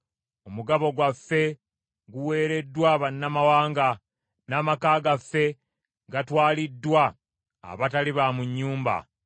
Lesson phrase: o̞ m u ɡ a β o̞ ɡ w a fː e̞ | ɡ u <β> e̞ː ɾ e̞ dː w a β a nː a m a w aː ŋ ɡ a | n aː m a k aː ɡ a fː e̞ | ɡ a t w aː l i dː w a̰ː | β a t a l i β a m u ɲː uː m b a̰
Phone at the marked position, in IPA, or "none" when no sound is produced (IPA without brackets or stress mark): w